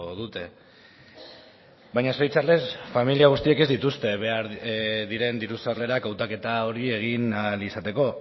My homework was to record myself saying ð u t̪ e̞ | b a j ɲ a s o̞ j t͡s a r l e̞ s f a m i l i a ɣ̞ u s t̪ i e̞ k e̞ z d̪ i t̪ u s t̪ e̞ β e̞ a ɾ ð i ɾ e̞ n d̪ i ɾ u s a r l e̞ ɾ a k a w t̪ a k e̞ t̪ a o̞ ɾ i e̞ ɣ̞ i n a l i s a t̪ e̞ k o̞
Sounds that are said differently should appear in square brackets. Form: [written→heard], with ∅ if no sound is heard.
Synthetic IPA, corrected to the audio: ð u t̪ e̞ | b a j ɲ a s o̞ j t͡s a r l e̞ s f a m i l i a ɣ̞ u s t̪ i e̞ k e̞ z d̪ i t̪ u s t̪ e̞ β e̞ a ɾ ð i ɾ e̞ n d̪ i ɾ u s a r l e̞ ɾ a k a w t̪ a k e̞ t̪ a o̞ ɾ i e̞ ɣ̞ i n a l i s a t̪ e̞ k o̞

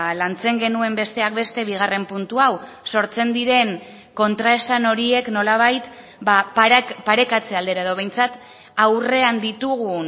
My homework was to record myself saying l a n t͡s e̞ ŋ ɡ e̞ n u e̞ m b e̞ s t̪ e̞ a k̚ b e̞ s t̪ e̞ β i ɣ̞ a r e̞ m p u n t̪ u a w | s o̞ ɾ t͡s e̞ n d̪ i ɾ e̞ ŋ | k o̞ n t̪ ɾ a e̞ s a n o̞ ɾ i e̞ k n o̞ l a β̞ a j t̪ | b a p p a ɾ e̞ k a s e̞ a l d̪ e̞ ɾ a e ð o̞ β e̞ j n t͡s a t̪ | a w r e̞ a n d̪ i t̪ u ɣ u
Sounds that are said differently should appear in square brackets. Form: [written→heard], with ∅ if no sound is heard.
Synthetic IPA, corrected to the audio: l a n t͡s e̞ ŋ ɡ e̞ n u e̞ m b e̞ s t̪ e̞ a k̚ b e̞ s t̪ e̞ β i ɣ̞ a r e̞ m p u n t̪ u a w | s o̞ ɾ t͡s e̞ n d̪ i ɾ e̞ ŋ | k o̞ n t̪ ɾ a e̞ s a n o̞ ɾ i e̞ k n o̞ l a β̞ a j t̪ | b a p p a ɾ e̞ k a [s→t͡s] e̞ a l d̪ e̞ ɾ a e ð o̞ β e̞ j n t͡s a t̪ | a w r e̞ a n d̪ i t̪ u ɣ u

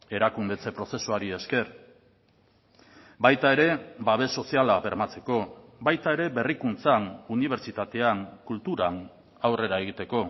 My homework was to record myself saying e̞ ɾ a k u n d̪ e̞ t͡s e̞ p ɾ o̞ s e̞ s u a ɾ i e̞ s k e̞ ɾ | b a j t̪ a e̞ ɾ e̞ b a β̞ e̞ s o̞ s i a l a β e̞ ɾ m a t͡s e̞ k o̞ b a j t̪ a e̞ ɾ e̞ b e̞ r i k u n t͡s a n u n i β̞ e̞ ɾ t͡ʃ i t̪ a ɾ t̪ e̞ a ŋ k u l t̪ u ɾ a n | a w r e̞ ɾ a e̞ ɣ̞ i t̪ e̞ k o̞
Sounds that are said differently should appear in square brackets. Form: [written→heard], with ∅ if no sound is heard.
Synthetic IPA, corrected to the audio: e̞ ɾ a k u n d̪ e̞ t͡s e̞ p ɾ o̞ s e̞ s u a ɾ i e̞ s k e̞ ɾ | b a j t̪ a e̞ ɾ e̞ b a β̞ e̞ s o̞ s i a l a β e̞ ɾ m a t͡s e̞ k o̞ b a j t̪ a e̞ ɾ e̞ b e̞ r i k u n t͡s a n u n i β̞ e̞ ɾ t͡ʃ i t̪ a [ɾ→∅] t̪ e̞ a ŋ k u l t̪ u ɾ a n | a w r e̞ ɾ a e̞ ɣ̞ i t̪ e̞ k o̞

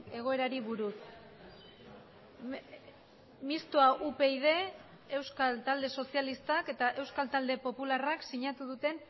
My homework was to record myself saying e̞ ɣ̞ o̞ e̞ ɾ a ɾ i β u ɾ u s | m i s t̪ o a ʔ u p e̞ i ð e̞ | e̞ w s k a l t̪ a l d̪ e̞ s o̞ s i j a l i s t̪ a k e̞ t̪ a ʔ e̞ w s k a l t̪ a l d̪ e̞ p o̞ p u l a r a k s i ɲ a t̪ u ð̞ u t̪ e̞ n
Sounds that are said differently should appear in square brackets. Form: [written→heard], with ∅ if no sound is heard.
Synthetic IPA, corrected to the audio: e̞ ɣ̞ o̞ e̞ ɾ a ɾ i β u ɾ u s | m i s t̪ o a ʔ u p e̞ i ð e̞ | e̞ w s k a l t̪ a l d̪ e̞ s o̞ s i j a l i s t̪ a k e̞ t̪ a ʔ e̞ w s k a l t̪ a l d̪ e̞ p o̞ p u l a r a k s i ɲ a t̪ u ð̞ u t̪ e̞ n

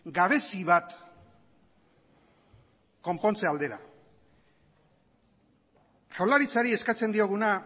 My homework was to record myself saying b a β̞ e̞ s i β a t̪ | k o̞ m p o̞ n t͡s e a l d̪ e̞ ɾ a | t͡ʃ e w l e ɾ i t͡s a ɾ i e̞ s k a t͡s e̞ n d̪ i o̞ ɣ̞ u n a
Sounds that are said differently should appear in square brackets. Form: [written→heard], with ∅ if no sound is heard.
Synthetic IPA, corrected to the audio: [b→ɡ] a β̞ e̞ s i β a t̪ | k o̞ m p o̞ n t͡s e a l d̪ e̞ ɾ a | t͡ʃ [e→a] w l [e→a] ɾ i t͡s a ɾ i e̞ s k a t͡s e̞ n d̪ i o̞ ɣ̞ u n a

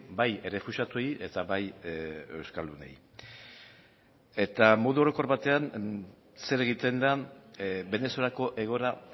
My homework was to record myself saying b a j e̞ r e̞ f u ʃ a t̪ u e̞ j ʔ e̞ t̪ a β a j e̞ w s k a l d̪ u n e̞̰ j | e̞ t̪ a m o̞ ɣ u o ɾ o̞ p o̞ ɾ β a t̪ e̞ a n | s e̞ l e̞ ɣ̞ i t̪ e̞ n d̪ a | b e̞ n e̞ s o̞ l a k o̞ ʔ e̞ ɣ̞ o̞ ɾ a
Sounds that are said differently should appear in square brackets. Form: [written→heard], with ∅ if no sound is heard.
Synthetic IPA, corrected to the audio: b a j e̞ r e̞ f u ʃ a t̪ u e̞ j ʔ e̞ t̪ a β a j e̞ w s k a l d̪ u n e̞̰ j | e̞ t̪ a m o̞ [ɣ→ð] u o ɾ o̞ [p→k] o̞ ɾ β a t̪ e̞ a n | s e̞ [l→ɾ] e̞ ɣ̞ i t̪ e̞ n d̪ a | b e̞ n e̞ s o̞ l a k o̞ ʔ e̞ ɣ̞ o̞ ɾ a

